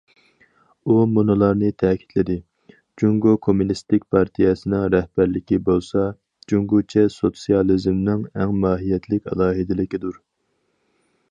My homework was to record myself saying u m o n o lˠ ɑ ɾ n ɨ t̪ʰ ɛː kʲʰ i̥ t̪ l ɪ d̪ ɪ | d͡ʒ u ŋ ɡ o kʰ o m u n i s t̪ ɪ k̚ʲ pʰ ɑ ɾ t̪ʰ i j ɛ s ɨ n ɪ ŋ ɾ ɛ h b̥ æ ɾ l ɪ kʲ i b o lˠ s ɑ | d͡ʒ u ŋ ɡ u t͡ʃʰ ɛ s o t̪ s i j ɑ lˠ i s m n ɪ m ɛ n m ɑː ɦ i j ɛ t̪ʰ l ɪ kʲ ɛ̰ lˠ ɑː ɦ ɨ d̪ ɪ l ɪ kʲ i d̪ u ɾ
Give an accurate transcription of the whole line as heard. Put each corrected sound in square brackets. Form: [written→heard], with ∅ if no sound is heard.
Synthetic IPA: u m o n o lˠ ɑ ɾ n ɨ t̪ʰ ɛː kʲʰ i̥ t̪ l ɪ d̪ ɪ | d͡ʒ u ŋ ɡ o kʰ o m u n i s t̪ ɪ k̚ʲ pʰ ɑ ɾ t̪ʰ i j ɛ s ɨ n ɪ ŋ ɾ ɛ h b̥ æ ɾ l ɪ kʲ i b o lˠ s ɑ | d͡ʒ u ŋ ɡ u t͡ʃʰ ɛ s o t̪ s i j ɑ lˠ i [s→z] m n ɪ [m→ŋ] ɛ [n→ŋ] m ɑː ɦ i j ɛ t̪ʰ l ɪ kʲ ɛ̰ lˠ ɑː ɦ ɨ d̪ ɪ l ɪ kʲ i d̪ u ɾ